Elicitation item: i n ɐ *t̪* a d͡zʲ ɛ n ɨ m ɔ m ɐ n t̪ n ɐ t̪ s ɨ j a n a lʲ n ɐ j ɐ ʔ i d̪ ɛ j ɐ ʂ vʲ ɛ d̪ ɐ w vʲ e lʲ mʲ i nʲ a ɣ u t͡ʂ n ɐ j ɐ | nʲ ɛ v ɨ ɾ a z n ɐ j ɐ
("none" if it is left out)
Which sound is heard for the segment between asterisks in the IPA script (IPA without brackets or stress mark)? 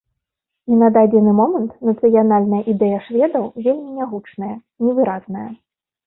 d̪